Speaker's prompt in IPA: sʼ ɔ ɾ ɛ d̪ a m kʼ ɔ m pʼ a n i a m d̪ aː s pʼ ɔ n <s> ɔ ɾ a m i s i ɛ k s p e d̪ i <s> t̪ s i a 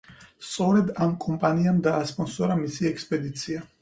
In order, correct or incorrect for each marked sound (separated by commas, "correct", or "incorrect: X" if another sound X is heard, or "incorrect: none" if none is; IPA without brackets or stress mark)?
correct, incorrect: none